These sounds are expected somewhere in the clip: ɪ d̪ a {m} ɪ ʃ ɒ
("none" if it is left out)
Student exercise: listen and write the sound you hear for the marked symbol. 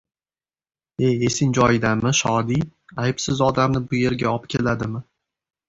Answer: m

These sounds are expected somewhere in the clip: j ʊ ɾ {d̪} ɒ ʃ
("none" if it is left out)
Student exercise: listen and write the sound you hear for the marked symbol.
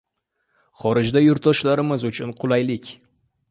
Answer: t̪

